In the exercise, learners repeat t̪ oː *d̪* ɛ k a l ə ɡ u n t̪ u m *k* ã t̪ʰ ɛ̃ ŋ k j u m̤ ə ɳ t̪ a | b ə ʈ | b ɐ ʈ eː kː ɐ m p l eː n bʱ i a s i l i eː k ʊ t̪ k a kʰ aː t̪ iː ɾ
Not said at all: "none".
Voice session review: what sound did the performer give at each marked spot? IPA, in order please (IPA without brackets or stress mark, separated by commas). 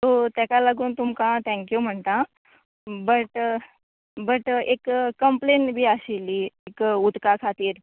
t̪, k